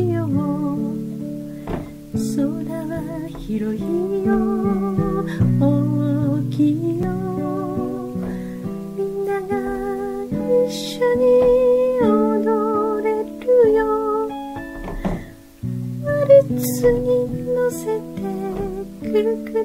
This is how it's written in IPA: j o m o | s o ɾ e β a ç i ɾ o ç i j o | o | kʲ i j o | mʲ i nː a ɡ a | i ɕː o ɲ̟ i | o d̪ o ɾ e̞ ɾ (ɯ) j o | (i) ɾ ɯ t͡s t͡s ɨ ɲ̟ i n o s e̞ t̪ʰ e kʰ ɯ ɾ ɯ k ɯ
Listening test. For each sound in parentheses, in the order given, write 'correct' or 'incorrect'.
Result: correct, incorrect: a

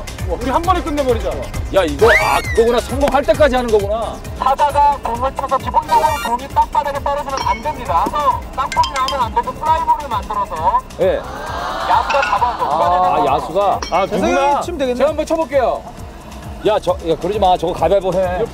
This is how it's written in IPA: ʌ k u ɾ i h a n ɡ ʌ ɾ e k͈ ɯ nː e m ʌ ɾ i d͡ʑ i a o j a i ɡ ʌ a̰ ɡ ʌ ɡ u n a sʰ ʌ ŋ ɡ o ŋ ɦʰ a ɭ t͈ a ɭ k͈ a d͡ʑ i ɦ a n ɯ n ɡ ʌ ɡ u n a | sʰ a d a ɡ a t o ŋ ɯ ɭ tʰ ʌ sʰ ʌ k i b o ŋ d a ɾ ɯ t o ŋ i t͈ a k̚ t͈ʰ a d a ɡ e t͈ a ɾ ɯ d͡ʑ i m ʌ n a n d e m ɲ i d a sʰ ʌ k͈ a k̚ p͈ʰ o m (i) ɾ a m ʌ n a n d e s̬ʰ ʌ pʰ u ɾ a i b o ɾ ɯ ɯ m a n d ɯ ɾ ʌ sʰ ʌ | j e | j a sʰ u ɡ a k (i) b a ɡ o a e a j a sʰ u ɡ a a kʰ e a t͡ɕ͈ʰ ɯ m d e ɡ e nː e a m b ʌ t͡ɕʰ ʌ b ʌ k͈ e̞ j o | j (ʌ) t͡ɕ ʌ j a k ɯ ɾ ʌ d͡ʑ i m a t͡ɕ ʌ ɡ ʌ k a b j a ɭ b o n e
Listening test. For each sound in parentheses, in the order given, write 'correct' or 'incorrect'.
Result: correct, incorrect: a, incorrect: a

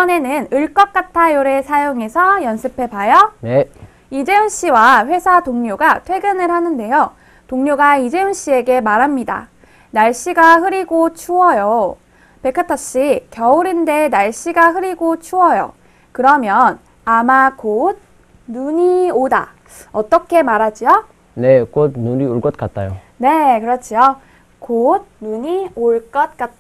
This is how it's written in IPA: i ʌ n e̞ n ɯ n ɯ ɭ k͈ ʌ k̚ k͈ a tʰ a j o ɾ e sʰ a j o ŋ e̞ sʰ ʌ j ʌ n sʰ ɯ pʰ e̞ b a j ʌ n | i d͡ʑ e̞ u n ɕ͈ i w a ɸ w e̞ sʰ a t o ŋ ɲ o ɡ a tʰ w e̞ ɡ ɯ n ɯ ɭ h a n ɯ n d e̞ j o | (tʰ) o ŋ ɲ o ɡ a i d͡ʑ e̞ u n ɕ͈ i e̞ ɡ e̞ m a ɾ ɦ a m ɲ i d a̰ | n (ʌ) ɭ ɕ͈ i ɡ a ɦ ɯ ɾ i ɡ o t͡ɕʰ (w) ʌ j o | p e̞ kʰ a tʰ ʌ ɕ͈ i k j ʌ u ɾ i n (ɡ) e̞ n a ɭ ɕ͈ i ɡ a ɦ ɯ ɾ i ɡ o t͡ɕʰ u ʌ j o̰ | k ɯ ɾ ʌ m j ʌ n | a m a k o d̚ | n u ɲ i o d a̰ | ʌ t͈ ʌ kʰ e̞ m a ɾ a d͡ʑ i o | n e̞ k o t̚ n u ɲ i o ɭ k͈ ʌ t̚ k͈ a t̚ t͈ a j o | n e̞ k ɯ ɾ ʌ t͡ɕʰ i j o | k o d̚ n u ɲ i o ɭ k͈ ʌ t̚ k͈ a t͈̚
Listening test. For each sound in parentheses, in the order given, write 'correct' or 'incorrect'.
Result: incorrect: t, incorrect: a, incorrect: u, incorrect: d

